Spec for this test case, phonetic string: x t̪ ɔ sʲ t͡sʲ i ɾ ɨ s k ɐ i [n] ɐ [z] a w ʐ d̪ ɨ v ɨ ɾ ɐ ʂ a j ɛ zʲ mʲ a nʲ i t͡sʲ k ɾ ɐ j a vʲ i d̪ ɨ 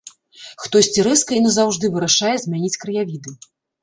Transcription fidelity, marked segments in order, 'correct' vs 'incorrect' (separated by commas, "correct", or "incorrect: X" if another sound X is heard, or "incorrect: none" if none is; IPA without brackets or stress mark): correct, correct